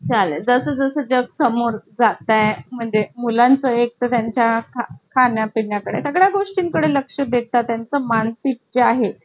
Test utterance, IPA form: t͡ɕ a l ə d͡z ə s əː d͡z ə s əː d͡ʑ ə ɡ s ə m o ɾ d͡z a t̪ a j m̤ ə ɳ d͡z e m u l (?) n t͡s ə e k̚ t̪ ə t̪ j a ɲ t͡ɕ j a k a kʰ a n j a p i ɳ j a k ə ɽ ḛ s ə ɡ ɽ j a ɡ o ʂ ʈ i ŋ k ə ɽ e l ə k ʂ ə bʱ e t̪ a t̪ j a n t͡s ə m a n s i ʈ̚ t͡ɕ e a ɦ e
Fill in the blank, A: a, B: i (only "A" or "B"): A